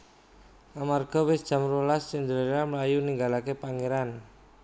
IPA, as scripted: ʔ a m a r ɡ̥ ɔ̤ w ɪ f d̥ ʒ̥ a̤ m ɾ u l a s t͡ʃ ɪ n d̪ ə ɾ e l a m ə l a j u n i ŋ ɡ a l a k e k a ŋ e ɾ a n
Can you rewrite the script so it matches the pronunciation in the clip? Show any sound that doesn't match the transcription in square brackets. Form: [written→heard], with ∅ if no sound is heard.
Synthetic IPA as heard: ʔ a m a r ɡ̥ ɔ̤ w ɪ [f→s] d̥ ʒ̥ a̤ m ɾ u l a s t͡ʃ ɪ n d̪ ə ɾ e [l→ɾ] a m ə l a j u n i ŋ ɡ a l a k e [k→p] a ŋ e ɾ a n